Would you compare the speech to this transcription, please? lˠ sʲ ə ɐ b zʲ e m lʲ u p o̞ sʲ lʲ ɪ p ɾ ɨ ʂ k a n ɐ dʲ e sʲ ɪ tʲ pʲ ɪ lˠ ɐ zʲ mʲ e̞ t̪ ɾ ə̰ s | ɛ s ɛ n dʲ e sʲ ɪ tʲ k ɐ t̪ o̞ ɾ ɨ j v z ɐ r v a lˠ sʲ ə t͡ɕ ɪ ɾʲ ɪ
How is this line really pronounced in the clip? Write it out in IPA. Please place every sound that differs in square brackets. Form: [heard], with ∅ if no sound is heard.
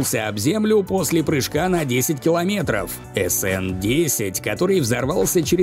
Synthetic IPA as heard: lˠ sʲ ə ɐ b zʲ e m lʲ [ʊ] p o̞ sʲ lʲ ɪ p ɾ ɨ ʂ k a n ɐ dʲ e sʲ ɪ tʲ [kʲ] ɪ lˠ ɐ [∅] mʲ e̞ t̪ ɾ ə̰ [f] | ɛ s ɛ n dʲ e sʲ ɪ tʲ k ɐ t̪ o̞ ɾ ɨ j v z ɐ r v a lˠ sʲ ə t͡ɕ ɪ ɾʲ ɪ